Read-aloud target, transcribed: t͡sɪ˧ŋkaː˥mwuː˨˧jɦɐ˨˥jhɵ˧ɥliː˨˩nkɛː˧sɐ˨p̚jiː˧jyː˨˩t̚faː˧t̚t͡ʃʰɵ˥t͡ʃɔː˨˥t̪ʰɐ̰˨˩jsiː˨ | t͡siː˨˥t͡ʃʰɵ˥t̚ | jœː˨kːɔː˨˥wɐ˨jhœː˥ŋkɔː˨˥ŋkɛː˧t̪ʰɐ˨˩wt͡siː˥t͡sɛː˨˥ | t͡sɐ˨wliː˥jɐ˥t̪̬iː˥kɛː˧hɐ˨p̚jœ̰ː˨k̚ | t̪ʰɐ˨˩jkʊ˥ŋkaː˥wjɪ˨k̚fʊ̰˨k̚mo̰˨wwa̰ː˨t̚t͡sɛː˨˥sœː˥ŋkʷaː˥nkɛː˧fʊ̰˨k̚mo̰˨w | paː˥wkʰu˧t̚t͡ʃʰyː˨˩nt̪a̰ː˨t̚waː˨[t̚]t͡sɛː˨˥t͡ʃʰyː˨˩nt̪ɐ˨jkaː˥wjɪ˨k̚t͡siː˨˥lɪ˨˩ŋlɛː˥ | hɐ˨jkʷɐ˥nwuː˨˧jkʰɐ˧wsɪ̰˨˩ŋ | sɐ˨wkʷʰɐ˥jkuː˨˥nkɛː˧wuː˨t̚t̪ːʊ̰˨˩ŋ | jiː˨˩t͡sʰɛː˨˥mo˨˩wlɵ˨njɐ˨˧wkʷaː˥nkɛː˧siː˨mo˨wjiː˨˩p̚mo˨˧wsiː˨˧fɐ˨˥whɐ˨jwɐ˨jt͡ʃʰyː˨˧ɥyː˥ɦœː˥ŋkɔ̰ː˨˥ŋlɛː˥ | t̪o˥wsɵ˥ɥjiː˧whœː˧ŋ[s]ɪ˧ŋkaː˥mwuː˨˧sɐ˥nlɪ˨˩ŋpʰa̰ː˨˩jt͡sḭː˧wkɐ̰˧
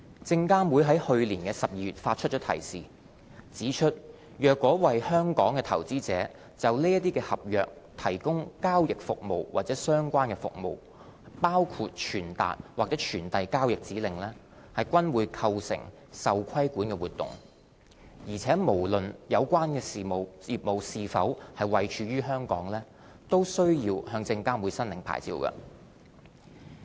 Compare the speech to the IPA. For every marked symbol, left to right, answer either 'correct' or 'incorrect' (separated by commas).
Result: incorrect, incorrect